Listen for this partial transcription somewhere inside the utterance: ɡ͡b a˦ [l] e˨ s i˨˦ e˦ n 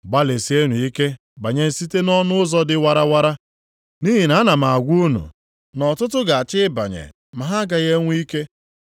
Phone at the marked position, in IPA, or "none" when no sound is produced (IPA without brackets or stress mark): l